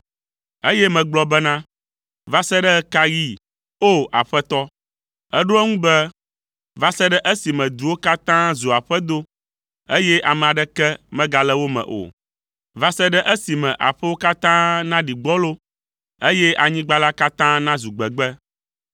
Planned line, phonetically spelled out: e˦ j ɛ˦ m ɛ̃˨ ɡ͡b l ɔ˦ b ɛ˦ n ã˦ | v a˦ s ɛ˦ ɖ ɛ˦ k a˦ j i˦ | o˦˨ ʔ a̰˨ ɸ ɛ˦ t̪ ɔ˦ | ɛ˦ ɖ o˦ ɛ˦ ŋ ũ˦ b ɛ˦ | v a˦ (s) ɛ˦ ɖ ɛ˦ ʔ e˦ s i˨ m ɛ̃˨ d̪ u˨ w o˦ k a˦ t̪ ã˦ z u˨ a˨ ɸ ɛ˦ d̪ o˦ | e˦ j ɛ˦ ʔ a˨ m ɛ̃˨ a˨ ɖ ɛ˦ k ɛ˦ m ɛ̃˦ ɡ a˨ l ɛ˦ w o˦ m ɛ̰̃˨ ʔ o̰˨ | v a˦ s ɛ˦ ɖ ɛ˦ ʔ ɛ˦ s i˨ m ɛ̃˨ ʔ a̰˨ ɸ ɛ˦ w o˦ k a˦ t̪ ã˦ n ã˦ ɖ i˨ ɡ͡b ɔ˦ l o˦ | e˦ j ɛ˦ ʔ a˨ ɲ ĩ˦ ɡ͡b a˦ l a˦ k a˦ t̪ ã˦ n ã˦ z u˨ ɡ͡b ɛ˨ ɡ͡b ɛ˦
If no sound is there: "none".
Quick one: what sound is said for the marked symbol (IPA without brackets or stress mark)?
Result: s